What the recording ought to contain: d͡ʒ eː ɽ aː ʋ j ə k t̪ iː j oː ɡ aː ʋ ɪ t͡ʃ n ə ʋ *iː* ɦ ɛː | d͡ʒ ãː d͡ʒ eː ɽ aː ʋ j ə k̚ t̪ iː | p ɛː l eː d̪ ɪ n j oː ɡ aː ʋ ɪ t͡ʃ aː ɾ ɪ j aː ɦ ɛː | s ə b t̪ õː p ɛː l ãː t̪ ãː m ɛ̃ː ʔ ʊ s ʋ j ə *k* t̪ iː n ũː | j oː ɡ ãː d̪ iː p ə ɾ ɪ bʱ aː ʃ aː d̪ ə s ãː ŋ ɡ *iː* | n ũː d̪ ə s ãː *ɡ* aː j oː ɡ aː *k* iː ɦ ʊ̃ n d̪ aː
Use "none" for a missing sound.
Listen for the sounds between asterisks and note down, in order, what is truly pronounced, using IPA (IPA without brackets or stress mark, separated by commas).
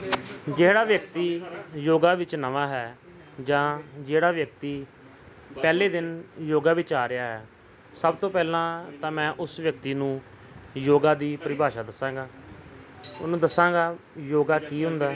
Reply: aː, k, aː, ɡ, k